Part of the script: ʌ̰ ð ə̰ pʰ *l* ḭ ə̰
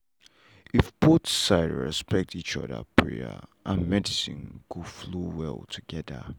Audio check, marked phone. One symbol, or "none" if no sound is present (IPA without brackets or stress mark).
ɹ